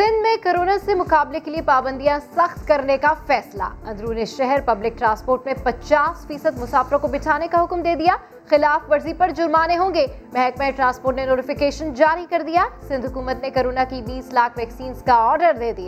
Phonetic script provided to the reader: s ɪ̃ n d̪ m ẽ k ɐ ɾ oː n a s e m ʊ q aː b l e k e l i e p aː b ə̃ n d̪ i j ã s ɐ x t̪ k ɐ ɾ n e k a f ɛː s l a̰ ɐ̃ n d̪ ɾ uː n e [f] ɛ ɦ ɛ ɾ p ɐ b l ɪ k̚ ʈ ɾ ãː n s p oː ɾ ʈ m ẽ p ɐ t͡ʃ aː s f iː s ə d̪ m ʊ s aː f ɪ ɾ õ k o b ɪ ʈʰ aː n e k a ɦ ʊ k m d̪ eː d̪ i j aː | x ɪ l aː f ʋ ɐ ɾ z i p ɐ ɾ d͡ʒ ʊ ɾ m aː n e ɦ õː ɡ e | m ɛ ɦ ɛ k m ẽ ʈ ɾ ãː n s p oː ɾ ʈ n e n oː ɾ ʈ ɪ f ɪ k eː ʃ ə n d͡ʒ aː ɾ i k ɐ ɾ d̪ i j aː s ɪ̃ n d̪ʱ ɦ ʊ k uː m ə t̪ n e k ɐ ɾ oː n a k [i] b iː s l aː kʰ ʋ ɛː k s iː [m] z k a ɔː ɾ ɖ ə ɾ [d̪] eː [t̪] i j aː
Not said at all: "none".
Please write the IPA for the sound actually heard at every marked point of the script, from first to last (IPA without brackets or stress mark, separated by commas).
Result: ʃ, i, n, d̪, d̪